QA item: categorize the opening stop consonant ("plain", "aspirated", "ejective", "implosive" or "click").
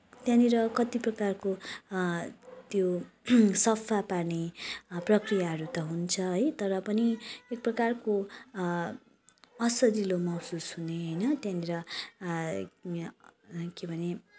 plain